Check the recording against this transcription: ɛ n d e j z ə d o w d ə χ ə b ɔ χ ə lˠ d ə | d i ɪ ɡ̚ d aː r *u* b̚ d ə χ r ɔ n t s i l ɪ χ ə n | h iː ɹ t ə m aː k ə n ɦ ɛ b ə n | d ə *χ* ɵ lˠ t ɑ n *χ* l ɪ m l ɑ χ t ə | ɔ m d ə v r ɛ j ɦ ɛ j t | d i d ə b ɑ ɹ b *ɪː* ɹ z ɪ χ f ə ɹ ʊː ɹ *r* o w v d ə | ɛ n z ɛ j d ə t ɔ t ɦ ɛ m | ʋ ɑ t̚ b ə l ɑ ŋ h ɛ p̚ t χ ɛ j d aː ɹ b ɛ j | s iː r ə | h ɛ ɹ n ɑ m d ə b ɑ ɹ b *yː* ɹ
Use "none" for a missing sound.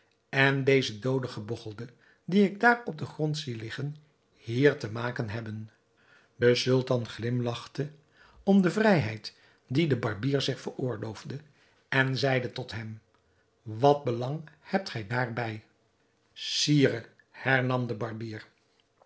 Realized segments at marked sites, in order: ɔ, s, χ, iː, l, iː

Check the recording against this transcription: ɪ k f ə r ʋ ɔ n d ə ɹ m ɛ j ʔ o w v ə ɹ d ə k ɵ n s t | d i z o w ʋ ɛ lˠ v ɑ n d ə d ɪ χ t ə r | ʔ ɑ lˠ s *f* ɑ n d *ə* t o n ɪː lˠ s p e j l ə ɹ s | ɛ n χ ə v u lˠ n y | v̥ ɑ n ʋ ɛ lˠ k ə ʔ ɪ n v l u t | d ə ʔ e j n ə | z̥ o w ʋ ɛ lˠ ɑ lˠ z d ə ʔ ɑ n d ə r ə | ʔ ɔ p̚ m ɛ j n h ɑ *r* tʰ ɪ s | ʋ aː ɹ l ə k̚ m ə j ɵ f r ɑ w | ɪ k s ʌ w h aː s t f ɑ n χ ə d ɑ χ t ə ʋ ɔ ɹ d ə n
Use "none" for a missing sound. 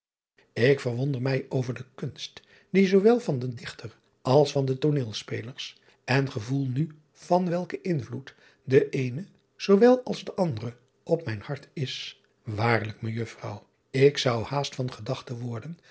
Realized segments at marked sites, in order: f, ə, ɹ

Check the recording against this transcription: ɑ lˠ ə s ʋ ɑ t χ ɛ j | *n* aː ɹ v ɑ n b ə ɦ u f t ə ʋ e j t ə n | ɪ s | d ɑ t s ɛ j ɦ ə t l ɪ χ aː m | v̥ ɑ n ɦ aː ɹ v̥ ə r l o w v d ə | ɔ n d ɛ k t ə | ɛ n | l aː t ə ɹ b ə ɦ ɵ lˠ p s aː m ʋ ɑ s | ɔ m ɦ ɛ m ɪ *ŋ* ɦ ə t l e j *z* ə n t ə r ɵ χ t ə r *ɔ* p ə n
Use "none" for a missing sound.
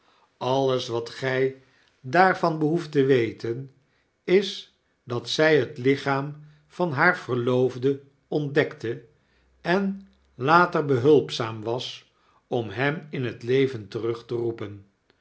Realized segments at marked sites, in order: d, n, v, u

